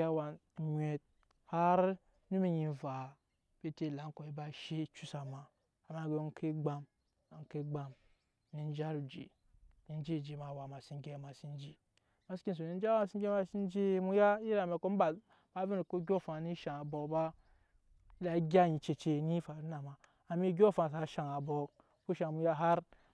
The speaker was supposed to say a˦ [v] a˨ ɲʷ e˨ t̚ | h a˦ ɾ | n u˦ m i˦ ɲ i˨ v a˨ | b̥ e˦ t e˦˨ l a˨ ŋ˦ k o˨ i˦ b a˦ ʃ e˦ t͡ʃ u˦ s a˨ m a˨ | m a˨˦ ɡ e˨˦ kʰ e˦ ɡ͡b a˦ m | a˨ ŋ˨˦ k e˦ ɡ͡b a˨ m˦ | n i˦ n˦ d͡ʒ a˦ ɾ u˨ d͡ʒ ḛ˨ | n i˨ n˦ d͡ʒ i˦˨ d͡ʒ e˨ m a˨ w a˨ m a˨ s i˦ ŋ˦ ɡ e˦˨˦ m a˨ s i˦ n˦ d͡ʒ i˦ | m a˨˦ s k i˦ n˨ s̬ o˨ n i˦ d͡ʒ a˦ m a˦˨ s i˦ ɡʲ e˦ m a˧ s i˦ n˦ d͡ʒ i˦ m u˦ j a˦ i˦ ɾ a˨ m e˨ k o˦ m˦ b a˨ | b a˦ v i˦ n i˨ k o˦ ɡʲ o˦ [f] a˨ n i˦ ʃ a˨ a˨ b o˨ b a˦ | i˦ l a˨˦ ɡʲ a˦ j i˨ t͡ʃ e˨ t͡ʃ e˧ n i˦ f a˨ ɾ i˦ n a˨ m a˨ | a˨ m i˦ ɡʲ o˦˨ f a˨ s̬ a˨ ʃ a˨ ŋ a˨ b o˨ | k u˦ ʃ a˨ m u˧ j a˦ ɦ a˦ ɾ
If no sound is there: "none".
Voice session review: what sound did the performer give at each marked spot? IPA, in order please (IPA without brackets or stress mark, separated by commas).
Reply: w, f